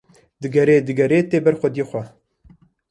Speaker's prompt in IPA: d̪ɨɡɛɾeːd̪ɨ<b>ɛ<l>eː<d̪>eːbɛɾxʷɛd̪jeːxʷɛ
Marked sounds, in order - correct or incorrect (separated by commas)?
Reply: incorrect, incorrect, incorrect